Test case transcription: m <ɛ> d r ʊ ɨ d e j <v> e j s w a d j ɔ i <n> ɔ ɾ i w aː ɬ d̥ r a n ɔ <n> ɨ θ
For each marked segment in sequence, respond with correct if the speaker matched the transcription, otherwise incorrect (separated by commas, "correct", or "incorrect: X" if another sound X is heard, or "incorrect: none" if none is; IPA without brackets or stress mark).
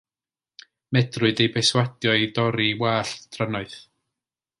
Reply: correct, incorrect: b, incorrect: d, incorrect: none